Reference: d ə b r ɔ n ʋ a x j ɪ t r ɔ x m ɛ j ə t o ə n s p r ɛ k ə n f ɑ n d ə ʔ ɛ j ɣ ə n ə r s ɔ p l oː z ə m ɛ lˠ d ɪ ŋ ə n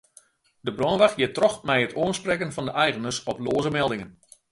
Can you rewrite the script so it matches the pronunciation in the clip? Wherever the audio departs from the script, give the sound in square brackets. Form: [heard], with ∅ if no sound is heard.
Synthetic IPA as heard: d ə b r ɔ n ʋ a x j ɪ t r ɔ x m ɛ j ə t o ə n s p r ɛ k ə n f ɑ n d ə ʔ ɛ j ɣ ə n ə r s ɔ p l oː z ə m ɛ lˠ d ɪ ŋ ə n

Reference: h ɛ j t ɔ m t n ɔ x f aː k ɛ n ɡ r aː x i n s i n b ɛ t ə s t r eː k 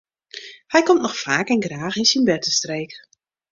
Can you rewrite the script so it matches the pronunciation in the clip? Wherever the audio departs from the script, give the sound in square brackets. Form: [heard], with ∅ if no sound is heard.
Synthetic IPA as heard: h ɛ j [k] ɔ m t n ɔ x f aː k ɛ n ɡ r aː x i n s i n b ɛ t ə s t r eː k

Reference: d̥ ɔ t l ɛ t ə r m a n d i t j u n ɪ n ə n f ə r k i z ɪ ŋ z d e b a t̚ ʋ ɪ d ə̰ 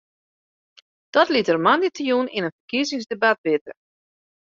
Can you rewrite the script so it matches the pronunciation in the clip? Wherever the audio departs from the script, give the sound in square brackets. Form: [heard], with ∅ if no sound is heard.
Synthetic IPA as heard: d̥ ɔ t l [i] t ə r m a n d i t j u n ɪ n ə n f ə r k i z ɪ ŋ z d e b a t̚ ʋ ɪ [t] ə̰

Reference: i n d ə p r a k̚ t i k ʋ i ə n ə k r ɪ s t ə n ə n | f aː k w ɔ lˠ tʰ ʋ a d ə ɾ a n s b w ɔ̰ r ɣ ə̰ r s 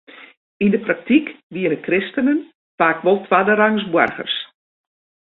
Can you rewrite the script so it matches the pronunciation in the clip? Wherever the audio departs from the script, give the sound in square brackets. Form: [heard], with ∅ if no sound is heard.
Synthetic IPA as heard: i n d ə p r a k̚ t i k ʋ i ə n ə k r ɪ s t ə n ə n | f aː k [ʋ] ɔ lˠ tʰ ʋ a d ə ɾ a [ŋ] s b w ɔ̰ r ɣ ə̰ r s

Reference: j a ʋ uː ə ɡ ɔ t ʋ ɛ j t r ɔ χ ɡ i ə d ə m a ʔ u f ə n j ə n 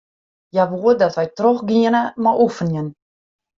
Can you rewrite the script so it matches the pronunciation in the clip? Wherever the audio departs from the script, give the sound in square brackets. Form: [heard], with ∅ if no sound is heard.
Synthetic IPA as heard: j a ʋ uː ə [d] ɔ t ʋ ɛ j t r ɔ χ ɡ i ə [n] ə m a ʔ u f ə n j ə n

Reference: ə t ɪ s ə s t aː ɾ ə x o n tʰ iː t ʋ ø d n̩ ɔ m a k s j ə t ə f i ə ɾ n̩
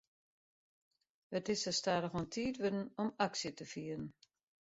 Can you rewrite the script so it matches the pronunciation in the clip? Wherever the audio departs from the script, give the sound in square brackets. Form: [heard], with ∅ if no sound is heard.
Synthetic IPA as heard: ə t ɪ s ə s t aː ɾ ə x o n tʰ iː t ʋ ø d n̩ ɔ m a k s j ə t ə f i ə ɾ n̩

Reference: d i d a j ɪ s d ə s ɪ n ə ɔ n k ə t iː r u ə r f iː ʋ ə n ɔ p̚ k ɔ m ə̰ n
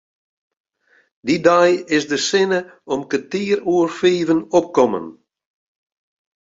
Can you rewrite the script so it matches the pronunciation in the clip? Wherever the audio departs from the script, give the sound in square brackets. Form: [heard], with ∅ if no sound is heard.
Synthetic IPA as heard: d i d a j ɪ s d ə s ɪ n ə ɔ [m] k ə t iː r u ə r f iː [v] ə n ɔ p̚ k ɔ m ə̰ n

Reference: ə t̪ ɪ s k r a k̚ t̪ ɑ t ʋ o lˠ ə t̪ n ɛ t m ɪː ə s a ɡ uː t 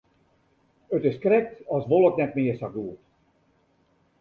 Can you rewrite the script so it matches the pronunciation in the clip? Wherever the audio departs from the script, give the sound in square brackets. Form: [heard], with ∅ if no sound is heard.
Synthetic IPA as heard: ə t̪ ɪ s k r [ɛ] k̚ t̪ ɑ [s] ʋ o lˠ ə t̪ n ɛ t m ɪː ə s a ɡ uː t

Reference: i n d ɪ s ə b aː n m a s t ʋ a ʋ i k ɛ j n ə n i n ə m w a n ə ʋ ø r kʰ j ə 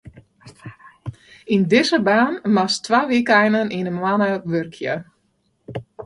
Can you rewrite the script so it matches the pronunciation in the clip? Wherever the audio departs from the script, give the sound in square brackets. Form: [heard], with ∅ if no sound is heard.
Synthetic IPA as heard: i n d ɪ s ə b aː n m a s t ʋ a ʋ i k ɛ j n ə n i n ə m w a n ə ʋ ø r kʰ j ə

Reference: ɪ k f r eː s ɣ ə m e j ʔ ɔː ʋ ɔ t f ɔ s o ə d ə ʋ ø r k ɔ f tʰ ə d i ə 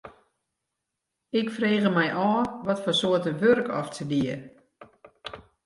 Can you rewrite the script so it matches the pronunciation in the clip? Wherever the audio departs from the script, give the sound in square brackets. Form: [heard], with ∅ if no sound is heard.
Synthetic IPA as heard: ɪ k f r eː [∅] ɣ ə m [ɛ] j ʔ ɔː ʋ ɔ t f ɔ s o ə [t] ə ʋ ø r k ɔ f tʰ ə d i ə

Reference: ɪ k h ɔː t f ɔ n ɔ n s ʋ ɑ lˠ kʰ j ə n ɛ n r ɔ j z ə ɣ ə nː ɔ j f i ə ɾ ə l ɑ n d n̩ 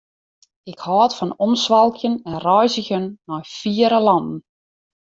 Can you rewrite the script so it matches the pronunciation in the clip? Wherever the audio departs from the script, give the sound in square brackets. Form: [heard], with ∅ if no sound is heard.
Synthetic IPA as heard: ɪ k h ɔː t f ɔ n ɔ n s ʋ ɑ lˠ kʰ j ə n ɛ n r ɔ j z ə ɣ ə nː ɔ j f i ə ɾ ə l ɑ n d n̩

